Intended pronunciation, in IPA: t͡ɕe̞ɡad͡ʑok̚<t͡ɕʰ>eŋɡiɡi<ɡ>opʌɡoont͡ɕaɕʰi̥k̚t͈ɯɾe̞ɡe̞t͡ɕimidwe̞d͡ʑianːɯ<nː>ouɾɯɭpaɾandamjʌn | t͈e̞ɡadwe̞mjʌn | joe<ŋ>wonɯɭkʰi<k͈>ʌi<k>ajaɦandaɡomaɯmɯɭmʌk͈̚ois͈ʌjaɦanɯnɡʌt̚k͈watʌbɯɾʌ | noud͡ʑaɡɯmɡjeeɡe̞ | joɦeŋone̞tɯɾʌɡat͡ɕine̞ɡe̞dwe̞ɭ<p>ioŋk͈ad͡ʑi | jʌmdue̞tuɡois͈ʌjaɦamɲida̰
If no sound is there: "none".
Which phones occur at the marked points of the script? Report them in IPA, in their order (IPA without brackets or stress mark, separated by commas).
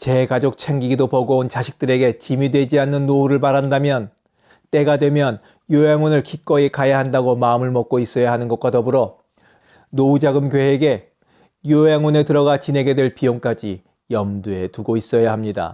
t͡ɕʰ, d, nː, ŋ, k͈, k, p